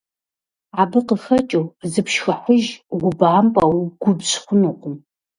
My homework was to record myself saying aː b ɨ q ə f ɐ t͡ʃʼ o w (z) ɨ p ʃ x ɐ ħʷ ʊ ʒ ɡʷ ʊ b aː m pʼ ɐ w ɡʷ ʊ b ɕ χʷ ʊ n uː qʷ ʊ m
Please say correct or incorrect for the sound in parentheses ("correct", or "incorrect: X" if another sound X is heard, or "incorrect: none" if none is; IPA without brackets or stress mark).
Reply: correct